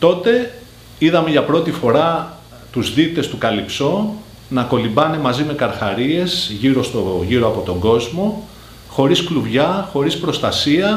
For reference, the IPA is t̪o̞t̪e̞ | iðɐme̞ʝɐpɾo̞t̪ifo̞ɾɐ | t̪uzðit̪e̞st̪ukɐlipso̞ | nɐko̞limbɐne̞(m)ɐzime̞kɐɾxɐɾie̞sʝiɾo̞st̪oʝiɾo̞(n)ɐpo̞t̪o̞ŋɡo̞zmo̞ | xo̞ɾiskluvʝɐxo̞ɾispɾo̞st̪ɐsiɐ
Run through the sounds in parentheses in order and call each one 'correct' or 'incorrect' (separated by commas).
correct, incorrect